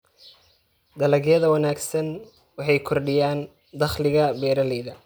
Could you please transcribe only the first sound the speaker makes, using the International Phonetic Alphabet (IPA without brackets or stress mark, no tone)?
d̪